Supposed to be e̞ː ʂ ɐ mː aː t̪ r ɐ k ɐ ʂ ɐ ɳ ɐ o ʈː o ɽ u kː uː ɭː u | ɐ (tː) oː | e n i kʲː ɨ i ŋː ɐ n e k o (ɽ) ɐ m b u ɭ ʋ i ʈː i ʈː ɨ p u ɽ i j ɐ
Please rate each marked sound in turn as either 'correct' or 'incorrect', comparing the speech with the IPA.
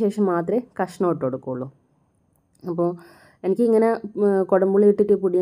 incorrect: pː, correct

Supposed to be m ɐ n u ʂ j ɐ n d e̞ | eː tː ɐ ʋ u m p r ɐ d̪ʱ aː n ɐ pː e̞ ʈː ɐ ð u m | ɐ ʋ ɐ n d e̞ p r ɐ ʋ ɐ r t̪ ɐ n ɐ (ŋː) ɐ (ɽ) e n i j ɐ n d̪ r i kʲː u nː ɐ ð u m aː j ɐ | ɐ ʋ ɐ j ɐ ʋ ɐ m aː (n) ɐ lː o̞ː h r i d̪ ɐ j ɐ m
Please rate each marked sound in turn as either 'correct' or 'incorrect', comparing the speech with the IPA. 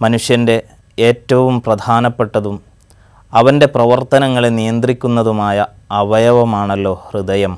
correct, incorrect: ɭ, incorrect: ɳ

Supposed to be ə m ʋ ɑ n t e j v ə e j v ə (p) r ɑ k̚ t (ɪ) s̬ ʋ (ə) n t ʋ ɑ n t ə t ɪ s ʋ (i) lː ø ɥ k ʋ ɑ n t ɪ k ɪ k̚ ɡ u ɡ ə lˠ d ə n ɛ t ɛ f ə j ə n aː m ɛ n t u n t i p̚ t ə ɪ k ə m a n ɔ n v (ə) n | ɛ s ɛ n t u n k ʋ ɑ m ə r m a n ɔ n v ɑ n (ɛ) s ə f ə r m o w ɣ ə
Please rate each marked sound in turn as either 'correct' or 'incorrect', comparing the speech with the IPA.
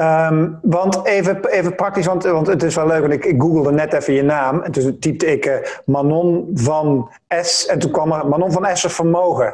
correct, incorrect: i, incorrect: ɑ, incorrect: ɛ, incorrect: ɑ, correct

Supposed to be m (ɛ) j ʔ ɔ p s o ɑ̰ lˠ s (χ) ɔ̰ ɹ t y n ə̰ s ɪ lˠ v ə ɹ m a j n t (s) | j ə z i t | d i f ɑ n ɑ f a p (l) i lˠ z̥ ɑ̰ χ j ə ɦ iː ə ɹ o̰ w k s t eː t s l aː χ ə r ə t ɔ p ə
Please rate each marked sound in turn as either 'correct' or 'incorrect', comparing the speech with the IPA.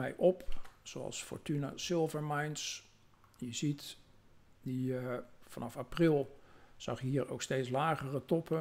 correct, incorrect: f, correct, incorrect: r

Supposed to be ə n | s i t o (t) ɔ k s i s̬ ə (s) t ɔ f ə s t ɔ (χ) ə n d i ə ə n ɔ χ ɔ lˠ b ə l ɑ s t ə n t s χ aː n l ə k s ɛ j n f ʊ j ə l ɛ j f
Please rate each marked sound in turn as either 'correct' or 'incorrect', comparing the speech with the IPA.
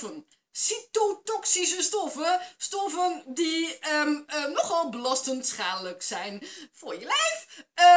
correct, correct, incorrect: f

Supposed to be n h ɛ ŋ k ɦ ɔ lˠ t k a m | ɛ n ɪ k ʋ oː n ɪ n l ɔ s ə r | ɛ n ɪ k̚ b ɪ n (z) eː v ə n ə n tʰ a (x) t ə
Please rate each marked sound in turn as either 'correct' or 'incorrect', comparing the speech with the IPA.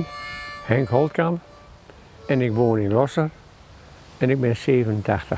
incorrect: s, correct

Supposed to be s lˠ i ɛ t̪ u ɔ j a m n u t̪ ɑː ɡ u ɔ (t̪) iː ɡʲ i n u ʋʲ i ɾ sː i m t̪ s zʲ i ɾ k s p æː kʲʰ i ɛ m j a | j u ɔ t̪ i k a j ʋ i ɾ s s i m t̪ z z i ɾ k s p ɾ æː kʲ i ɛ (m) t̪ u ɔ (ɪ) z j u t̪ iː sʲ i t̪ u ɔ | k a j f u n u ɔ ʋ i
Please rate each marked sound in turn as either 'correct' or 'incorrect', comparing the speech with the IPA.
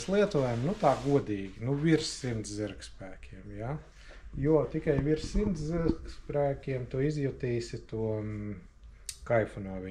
incorrect: d̪, correct, incorrect: i

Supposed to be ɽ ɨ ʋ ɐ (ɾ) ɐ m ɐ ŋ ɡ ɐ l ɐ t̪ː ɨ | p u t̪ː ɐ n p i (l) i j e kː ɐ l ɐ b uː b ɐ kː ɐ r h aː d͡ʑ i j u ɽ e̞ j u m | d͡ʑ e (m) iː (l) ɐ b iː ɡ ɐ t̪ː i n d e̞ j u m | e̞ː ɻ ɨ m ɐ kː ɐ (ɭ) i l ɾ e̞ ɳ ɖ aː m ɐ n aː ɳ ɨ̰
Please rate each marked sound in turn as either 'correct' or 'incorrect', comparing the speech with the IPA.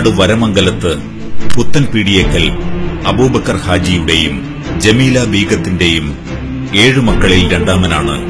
correct, incorrect: ɽ, correct, correct, correct

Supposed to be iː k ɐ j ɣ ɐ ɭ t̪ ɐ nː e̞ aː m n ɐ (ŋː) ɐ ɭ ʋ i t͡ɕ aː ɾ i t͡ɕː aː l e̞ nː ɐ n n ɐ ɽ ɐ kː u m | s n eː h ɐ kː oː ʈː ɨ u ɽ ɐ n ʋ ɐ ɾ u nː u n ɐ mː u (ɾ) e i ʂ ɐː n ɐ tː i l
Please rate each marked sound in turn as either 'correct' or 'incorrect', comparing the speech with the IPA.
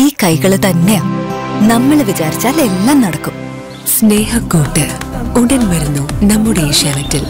incorrect: mː, incorrect: ɽ

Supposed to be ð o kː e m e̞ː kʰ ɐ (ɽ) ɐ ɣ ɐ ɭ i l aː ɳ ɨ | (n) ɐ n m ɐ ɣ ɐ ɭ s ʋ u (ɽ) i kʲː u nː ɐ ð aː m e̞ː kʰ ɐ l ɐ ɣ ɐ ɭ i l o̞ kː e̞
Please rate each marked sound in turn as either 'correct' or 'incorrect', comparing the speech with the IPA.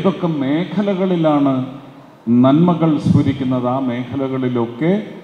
incorrect: l, correct, incorrect: ɾ

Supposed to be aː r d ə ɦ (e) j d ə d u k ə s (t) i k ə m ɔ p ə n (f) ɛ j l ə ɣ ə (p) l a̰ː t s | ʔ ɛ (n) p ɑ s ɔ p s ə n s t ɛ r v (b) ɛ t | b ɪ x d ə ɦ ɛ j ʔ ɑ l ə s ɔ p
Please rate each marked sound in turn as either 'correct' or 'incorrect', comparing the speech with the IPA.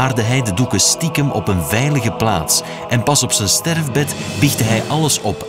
incorrect: ɛ, correct, incorrect: v, correct, correct, correct

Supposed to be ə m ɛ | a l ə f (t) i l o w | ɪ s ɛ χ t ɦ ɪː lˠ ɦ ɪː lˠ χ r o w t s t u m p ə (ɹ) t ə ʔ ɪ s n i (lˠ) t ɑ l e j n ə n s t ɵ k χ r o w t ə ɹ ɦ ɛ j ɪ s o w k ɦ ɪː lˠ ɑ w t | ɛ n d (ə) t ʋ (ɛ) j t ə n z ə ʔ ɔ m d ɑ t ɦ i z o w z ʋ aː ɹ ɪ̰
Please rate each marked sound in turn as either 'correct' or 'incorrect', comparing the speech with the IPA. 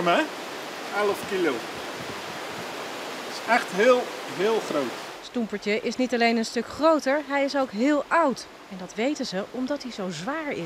incorrect: k, correct, incorrect: none, incorrect: ɑ, incorrect: e

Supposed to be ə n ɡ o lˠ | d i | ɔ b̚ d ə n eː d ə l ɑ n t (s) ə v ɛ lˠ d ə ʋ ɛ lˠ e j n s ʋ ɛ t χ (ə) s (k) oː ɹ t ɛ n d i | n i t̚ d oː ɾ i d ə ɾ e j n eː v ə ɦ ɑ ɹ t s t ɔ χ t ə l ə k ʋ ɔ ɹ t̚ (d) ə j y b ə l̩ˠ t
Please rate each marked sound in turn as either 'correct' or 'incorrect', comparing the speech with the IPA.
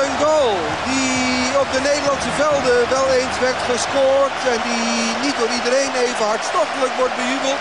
correct, correct, correct, incorrect: b

